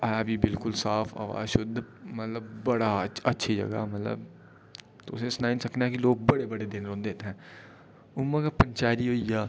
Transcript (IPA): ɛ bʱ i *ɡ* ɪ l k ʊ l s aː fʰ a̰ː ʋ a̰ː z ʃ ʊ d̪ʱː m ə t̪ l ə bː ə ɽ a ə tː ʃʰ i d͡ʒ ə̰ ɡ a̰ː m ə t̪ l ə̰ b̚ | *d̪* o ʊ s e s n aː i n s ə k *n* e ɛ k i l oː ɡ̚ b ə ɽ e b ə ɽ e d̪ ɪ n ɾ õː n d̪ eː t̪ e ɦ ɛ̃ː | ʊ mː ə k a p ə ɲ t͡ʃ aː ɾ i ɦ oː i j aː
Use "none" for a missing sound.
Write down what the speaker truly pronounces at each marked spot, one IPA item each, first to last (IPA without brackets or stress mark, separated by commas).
b, t̪, n